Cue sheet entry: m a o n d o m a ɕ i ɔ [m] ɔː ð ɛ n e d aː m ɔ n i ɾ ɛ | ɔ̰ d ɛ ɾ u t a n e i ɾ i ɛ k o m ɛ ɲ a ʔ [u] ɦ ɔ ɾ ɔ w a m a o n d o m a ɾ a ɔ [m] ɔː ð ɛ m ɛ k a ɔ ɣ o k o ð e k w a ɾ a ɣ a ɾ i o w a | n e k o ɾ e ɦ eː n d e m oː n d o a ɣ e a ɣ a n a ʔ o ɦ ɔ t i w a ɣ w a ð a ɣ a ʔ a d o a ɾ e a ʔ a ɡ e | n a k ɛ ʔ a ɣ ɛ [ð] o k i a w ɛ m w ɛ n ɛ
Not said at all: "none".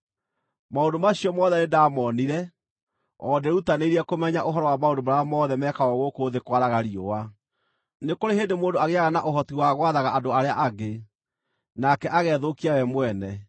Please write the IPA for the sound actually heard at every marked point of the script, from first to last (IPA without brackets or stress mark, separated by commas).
m, o, m, ð